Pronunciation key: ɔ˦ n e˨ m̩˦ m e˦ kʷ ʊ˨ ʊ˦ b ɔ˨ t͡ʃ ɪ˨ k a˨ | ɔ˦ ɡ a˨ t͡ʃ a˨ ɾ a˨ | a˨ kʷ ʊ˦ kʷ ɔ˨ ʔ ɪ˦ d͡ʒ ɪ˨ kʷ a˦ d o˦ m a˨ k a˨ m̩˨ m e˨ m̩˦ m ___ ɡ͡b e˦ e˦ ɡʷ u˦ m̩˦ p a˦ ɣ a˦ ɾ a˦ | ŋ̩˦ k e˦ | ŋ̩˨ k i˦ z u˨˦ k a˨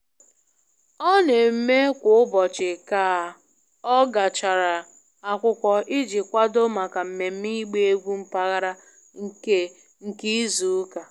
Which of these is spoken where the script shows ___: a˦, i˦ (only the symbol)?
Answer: i˦